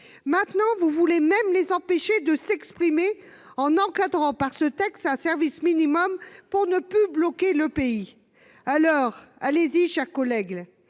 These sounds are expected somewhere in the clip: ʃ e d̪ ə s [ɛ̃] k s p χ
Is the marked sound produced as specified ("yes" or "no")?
no